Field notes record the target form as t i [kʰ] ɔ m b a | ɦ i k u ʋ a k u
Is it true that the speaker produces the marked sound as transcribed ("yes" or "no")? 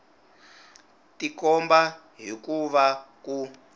no